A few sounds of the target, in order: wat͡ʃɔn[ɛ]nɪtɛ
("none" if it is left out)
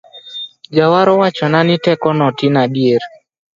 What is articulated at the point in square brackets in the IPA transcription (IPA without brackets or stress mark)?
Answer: a